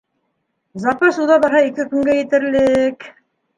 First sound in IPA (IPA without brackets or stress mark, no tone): z